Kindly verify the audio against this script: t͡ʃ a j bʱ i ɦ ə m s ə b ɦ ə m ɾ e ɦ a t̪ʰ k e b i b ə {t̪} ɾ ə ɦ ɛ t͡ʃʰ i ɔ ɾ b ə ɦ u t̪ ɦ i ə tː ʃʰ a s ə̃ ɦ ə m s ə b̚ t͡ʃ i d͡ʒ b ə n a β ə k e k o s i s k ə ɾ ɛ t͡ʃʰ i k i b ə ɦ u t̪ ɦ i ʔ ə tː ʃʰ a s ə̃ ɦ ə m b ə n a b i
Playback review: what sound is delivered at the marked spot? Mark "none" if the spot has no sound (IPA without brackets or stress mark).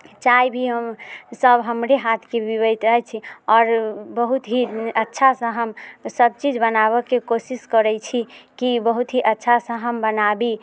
t̪